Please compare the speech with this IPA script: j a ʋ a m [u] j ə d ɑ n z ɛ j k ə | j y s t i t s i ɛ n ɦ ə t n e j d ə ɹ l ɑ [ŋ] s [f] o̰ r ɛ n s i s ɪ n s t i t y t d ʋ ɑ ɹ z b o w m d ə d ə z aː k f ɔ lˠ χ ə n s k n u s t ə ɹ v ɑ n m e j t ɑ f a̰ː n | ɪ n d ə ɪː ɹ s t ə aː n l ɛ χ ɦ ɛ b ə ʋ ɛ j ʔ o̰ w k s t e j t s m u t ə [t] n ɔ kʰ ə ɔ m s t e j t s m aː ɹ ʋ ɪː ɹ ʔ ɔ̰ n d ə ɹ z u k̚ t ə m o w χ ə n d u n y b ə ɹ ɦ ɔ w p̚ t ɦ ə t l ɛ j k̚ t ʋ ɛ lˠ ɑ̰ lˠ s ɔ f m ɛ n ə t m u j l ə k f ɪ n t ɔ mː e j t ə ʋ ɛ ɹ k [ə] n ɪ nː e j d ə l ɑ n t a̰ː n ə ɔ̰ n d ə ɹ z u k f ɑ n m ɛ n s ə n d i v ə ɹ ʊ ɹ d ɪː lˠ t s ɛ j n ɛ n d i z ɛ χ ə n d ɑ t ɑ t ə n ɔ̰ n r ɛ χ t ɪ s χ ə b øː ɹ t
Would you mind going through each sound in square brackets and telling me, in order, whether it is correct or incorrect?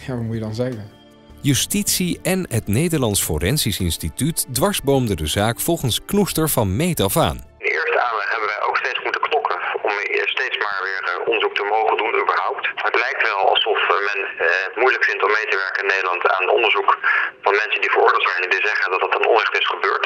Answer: correct, incorrect, correct, incorrect, correct

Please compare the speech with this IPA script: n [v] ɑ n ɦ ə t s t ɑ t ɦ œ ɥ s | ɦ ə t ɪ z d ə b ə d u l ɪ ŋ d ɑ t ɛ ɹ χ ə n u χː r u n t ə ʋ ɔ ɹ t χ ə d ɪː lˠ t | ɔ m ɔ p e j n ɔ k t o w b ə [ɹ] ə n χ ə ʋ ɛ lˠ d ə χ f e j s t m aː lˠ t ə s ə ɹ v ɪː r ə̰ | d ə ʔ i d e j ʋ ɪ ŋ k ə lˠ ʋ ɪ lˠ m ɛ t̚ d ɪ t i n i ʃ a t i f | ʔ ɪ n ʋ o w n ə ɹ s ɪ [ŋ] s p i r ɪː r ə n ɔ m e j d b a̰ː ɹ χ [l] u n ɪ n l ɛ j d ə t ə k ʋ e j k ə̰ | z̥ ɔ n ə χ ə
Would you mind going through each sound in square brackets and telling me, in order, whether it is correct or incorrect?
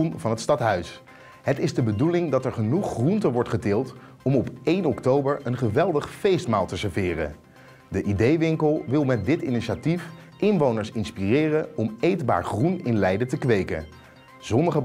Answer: correct, correct, incorrect, incorrect

